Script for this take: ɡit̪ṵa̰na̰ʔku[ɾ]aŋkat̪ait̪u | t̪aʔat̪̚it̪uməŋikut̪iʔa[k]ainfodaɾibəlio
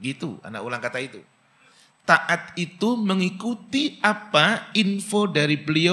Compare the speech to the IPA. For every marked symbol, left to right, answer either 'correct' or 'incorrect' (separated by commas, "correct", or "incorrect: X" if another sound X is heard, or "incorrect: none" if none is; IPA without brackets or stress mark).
incorrect: l, incorrect: p